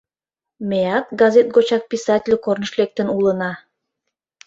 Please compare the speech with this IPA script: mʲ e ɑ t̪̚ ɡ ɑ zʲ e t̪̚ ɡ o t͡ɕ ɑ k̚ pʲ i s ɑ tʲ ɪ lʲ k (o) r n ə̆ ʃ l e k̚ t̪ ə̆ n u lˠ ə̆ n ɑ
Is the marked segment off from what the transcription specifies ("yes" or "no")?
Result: no